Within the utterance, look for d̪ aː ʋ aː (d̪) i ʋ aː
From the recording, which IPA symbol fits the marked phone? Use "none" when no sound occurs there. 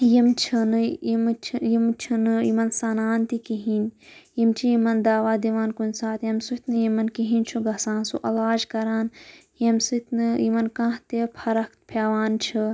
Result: d̪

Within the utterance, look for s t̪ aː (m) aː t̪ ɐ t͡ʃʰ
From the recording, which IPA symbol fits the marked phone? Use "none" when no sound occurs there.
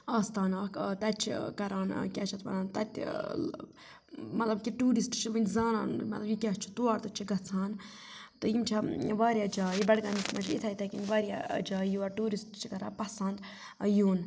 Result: n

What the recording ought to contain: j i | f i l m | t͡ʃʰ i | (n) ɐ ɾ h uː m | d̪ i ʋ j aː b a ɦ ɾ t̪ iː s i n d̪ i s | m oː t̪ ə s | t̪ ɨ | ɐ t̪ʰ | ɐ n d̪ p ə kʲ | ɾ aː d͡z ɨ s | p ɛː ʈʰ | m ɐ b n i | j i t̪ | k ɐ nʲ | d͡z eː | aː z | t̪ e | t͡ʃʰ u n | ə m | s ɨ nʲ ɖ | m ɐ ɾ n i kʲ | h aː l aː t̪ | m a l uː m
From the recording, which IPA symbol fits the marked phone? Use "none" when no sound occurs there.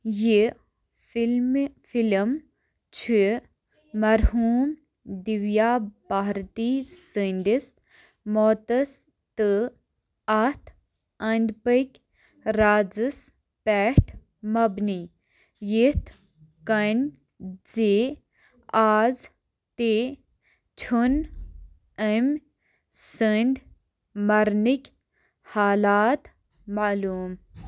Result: m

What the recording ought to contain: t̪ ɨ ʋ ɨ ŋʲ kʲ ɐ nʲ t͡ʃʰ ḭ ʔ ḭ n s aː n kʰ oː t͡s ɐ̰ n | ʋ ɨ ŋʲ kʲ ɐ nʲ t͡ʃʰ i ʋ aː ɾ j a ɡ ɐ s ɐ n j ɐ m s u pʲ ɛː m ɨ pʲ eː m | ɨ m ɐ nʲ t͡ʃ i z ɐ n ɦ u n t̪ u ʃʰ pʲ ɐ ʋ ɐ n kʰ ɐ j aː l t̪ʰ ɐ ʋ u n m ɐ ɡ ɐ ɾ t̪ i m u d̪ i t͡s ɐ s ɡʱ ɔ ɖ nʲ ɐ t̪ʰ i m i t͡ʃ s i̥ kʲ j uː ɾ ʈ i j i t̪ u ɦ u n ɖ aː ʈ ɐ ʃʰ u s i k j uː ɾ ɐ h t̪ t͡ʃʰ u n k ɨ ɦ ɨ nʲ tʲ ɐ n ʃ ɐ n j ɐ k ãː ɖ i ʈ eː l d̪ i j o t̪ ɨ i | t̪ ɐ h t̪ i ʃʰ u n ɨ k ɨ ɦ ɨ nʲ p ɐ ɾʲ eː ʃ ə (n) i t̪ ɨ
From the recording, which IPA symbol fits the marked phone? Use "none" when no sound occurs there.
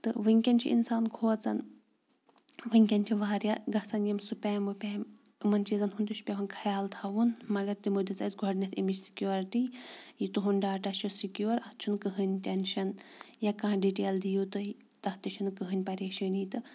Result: n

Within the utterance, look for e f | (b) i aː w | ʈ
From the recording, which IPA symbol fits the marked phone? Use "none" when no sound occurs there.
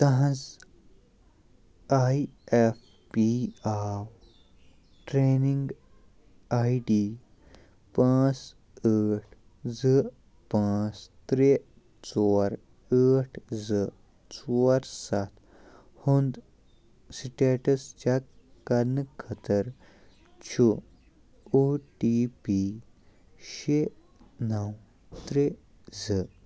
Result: p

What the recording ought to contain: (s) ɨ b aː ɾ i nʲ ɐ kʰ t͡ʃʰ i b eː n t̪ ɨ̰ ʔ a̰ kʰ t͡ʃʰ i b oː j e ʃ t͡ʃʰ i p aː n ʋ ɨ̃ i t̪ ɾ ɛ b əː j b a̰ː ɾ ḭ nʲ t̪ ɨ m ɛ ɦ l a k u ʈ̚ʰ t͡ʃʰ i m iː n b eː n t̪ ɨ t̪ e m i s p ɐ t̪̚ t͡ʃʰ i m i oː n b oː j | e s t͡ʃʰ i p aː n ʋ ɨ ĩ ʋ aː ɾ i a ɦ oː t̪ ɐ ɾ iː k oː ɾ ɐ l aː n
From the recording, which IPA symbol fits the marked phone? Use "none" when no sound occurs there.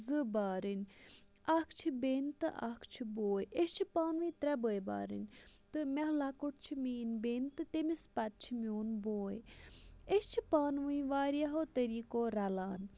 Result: z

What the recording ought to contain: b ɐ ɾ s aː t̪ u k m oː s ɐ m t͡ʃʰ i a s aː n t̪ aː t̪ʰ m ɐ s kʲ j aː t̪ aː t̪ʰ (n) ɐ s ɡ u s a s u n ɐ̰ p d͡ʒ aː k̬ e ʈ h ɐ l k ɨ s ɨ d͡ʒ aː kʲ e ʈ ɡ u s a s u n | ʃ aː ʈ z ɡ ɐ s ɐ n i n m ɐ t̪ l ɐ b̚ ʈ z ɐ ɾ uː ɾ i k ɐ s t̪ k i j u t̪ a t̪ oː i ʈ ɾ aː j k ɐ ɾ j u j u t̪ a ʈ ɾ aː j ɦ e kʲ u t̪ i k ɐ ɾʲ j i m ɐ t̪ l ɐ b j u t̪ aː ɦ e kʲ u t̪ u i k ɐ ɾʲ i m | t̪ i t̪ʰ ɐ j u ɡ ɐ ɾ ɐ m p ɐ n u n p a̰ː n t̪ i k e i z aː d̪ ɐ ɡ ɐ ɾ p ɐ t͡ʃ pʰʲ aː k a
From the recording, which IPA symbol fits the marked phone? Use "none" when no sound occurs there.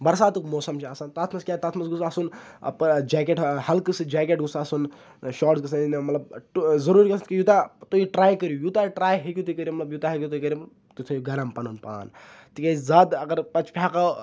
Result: m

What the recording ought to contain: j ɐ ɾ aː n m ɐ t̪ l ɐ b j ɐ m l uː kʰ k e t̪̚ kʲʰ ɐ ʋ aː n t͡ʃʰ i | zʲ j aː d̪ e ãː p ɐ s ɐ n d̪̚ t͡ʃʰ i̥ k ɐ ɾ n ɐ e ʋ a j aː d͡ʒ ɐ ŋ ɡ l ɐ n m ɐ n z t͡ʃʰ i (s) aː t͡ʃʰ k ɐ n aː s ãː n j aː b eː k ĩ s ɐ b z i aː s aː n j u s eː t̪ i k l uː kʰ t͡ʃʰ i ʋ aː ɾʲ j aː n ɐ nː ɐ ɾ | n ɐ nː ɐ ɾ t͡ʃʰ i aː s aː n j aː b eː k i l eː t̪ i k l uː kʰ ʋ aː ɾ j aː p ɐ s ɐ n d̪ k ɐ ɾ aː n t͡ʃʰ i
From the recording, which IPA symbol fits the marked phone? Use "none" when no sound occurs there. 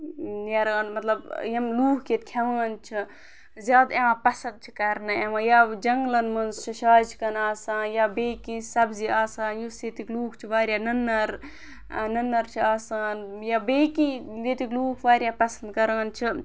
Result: ʃ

